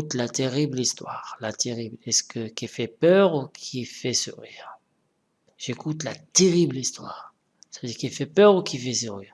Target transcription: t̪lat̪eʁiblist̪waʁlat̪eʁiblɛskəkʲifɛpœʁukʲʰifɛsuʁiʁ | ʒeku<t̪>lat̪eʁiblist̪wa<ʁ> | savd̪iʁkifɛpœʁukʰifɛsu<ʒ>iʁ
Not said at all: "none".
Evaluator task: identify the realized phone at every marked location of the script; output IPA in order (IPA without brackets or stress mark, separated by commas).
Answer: t̪, ʁ, ʁ